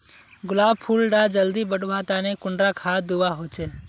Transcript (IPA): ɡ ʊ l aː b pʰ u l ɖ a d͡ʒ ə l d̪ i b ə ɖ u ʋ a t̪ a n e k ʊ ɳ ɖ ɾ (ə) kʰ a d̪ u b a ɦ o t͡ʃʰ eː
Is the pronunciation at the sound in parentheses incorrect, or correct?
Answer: incorrect